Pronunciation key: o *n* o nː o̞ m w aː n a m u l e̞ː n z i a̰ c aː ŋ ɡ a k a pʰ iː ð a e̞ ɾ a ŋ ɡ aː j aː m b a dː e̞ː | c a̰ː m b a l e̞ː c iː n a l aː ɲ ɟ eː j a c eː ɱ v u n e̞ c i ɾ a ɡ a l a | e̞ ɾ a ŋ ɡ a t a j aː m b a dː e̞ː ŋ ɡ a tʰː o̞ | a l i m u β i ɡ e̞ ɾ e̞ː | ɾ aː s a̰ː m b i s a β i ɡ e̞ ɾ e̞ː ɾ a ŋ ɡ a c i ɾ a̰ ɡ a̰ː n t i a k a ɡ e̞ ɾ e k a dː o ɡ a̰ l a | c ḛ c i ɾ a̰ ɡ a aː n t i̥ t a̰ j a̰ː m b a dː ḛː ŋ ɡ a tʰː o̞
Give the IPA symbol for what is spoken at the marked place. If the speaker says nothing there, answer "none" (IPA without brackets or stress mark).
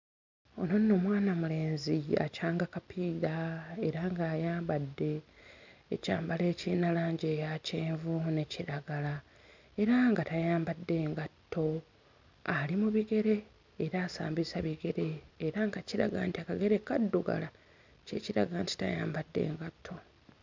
n